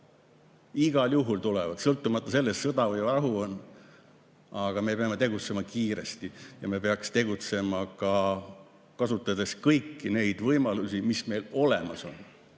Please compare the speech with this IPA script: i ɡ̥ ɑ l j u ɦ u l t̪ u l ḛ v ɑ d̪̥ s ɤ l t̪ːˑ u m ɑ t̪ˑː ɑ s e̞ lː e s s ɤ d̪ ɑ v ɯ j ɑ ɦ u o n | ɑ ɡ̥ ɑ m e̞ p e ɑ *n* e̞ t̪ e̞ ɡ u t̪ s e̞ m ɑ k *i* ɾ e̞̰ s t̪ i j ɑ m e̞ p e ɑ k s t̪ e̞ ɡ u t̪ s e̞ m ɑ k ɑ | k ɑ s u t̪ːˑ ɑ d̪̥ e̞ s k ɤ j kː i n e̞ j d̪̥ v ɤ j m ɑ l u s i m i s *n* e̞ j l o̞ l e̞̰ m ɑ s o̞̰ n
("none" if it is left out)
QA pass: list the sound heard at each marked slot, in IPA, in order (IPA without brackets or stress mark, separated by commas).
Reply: m, iː, m